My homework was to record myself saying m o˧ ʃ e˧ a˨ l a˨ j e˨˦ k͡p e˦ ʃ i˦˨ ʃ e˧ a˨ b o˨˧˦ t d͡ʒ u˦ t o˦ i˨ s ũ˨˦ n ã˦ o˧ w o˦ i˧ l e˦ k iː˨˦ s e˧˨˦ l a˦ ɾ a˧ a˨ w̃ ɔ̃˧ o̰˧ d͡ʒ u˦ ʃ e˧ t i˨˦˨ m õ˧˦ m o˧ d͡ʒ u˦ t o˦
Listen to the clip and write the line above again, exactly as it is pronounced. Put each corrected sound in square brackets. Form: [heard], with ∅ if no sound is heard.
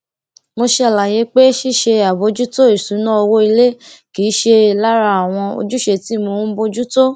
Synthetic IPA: m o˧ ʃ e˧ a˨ l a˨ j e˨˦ k͡p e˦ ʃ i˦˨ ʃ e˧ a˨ b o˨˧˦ [∅] d͡ʒ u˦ t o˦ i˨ s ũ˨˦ n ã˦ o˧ w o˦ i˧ l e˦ k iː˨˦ [ʃ] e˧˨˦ l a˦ ɾ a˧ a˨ w̃ ɔ̃˧ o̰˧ d͡ʒ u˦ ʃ e˧ t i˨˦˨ m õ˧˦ [b] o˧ d͡ʒ u˦ t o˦